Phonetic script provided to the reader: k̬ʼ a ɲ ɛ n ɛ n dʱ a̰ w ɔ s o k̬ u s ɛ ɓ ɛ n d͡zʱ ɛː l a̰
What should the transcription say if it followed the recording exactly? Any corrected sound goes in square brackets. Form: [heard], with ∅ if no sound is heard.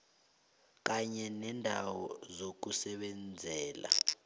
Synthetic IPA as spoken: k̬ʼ a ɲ ɛ n ɛ n dʱ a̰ w ɔ [z] o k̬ u s ɛ ɓ ɛ n d͡zʱ ɛː l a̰